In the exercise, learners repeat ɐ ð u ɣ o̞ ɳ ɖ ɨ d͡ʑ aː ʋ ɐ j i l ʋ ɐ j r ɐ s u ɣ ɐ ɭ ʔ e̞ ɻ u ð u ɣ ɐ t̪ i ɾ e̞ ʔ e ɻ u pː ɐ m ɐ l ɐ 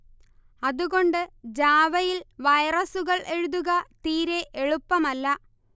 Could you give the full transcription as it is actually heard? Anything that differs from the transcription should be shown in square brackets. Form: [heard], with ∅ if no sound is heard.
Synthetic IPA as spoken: ɐ ð u ɣ o̞ ɳ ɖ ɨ d͡ʑ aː ʋ ɐ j i l ʋ ɐ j r ɐ s u ɣ ɐ ɭ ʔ e̞ ɻ u ð u ɣ ɐ t̪ [iː] ɾ e̞ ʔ e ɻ u pː ɐ m ɐ [lː] ɐ